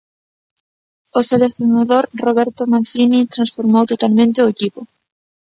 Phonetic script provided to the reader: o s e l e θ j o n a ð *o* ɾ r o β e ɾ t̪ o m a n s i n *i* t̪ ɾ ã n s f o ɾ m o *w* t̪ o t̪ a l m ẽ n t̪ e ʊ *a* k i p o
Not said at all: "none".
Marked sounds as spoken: o, i, w, e

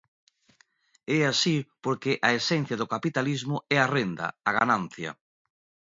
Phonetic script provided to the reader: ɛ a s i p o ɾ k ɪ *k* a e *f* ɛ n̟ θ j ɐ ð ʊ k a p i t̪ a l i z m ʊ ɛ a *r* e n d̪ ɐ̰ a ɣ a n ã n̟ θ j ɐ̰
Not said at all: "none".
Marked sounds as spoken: ʔ, s, r

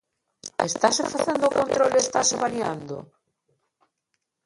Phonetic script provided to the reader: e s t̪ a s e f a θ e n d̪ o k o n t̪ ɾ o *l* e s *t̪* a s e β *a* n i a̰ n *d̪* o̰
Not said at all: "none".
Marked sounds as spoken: l, t̪, a, d̪

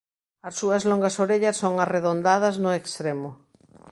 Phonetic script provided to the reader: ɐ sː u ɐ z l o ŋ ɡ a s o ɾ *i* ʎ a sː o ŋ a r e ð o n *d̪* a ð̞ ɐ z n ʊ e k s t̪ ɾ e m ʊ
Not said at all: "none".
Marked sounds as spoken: e, d̪

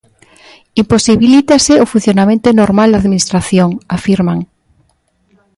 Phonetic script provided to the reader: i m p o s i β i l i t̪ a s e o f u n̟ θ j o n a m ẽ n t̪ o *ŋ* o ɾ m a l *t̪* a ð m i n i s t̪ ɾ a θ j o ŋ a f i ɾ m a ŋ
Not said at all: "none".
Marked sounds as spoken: n, d̪

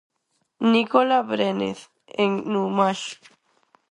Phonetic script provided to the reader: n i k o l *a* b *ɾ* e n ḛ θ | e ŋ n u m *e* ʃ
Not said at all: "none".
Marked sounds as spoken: a, ɾ, a

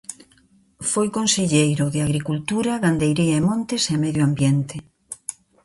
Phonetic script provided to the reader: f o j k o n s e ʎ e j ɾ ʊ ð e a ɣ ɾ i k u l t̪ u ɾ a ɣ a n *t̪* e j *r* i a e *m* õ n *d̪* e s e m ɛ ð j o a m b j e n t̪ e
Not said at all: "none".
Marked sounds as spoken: d̪, ɾ, m, t̪

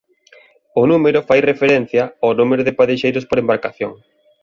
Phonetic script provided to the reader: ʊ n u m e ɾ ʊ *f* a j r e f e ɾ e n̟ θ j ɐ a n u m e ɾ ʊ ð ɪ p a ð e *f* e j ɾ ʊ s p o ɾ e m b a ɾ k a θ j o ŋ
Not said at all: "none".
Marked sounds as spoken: f, ʃ

